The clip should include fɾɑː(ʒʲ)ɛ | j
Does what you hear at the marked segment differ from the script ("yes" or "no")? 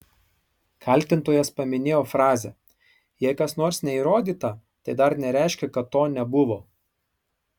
yes